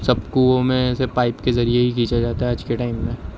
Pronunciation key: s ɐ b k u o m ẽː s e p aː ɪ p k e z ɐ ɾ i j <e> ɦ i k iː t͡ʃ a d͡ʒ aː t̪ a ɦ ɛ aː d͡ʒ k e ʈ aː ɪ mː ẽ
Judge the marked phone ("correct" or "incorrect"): correct